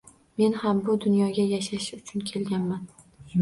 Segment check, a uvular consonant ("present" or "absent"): absent